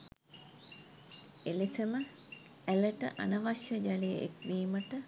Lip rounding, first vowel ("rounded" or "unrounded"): unrounded